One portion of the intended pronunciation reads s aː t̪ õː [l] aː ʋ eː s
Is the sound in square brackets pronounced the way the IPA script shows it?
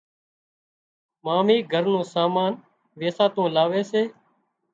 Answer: yes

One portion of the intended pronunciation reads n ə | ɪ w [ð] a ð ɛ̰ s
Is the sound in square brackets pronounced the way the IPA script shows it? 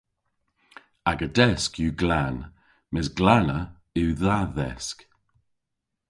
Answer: yes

